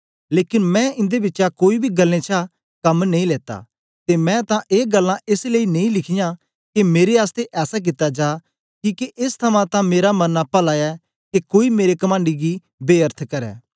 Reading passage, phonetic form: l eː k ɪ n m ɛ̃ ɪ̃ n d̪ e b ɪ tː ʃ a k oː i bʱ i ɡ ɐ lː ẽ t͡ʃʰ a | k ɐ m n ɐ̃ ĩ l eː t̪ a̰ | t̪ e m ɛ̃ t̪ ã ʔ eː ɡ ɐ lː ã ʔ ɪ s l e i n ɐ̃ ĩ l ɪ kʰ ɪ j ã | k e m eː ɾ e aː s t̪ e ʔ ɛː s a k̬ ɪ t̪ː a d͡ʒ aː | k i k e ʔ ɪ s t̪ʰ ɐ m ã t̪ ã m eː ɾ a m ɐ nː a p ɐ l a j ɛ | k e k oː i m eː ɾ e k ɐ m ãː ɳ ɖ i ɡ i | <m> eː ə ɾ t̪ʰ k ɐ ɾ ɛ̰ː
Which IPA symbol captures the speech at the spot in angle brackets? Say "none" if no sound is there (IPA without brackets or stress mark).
b